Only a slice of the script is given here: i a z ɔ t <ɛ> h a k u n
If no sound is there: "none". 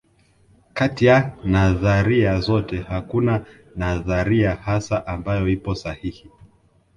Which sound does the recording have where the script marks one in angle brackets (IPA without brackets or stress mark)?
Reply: ɛ